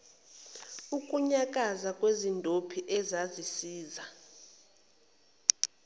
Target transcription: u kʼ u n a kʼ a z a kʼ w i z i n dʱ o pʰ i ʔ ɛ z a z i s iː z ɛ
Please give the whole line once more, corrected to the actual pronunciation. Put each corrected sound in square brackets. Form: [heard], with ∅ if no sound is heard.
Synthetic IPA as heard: u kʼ u [ɲ] a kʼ a z a kʼ w [e] z i n dʱ o pʰ i ʔ ɛ z a z i s iː z [a]